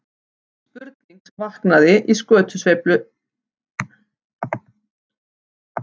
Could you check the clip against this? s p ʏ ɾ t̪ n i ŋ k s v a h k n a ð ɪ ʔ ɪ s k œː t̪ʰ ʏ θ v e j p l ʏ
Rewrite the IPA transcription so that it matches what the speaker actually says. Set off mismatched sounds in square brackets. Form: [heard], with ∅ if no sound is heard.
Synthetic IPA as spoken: s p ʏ ɾ t̪ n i ŋ k s v a h k n a ð ɪ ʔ [i] s k œː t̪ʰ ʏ [s] v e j p l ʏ